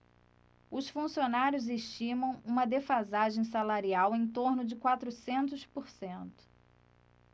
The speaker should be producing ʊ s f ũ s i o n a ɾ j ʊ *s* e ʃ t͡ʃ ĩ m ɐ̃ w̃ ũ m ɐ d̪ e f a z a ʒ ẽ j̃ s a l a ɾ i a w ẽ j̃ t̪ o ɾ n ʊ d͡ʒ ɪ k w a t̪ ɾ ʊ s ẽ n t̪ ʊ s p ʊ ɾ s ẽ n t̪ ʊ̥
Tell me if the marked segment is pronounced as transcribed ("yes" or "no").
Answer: no